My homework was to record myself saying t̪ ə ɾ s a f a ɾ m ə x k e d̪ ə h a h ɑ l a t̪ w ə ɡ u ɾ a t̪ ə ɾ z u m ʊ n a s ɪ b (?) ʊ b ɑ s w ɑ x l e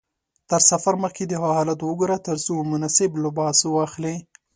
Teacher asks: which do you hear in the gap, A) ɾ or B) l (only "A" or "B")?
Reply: B